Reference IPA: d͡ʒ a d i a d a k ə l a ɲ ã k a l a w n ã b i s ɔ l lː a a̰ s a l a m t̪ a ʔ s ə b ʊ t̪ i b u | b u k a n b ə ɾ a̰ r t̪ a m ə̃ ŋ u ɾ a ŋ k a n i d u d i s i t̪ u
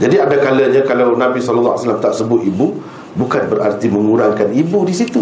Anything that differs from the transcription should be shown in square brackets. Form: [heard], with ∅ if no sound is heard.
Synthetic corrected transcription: d͡ʒ a d i a d a k [a] l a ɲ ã k a l a w n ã b i s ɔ l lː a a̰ s a l a m t̪ a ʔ s ə b ʊ t̪ i b u | b u k a n b ə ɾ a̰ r t̪ [i] m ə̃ ŋ u ɾ a ŋ k a n i [b] u d i s i t̪ u